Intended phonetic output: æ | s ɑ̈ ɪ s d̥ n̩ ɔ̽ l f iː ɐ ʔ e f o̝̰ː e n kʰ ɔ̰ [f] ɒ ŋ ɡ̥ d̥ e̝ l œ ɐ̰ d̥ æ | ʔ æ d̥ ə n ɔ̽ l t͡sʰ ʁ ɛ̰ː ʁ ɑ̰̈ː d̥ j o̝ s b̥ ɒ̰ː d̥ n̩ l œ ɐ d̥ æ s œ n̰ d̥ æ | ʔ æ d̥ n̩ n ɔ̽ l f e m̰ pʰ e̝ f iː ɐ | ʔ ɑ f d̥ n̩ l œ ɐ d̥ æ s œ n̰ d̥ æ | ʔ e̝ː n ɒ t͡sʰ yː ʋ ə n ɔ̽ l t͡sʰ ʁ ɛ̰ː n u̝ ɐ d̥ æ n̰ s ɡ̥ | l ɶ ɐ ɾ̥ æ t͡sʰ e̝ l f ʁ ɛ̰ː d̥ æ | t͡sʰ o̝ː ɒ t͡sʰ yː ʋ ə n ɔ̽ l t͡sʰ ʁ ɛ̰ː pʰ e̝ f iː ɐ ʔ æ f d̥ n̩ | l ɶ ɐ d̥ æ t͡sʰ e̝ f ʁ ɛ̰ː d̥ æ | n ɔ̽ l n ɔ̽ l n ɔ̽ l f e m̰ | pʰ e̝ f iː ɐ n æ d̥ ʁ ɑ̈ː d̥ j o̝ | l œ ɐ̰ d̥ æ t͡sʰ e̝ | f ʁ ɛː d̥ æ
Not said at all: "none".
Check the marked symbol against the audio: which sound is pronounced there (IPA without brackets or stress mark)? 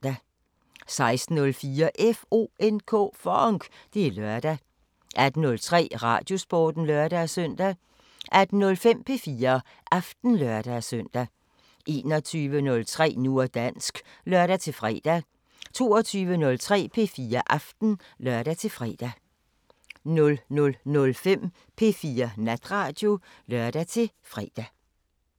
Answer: f